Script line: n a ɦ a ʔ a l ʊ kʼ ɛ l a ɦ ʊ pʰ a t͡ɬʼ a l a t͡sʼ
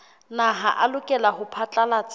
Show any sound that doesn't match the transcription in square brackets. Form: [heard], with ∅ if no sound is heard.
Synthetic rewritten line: n a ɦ a ʔ a l ʊ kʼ ɛ l a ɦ ʊ pʰ a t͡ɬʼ a l a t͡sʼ